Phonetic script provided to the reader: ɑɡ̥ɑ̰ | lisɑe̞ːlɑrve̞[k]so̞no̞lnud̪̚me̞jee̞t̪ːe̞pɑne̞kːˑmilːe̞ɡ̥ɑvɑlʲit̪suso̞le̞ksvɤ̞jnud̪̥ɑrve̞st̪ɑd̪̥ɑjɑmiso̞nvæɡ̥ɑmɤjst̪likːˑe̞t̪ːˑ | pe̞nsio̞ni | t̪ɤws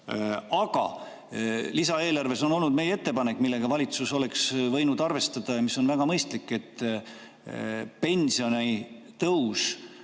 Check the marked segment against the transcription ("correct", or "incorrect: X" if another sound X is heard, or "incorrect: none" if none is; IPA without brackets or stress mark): incorrect: none